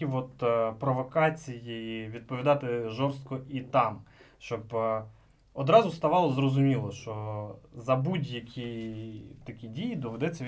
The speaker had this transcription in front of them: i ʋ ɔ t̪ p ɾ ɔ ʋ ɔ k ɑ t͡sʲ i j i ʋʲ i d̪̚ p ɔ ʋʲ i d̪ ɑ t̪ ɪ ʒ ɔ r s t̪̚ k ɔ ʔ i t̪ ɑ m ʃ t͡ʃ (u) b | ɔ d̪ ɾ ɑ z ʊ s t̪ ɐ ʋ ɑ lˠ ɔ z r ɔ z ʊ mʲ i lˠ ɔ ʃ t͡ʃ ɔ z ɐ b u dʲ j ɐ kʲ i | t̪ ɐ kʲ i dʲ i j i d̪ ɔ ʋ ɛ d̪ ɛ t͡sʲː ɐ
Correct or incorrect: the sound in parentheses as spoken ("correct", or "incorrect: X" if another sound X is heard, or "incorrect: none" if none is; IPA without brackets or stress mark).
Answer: incorrect: ɔ